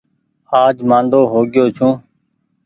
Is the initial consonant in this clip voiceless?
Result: no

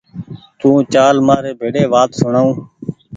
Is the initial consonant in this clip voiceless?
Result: yes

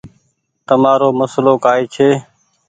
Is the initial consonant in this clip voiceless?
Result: yes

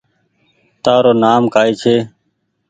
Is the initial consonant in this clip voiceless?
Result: yes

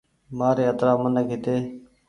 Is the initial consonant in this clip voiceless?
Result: no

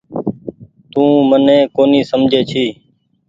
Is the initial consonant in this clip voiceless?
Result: yes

